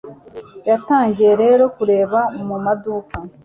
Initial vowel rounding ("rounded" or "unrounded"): unrounded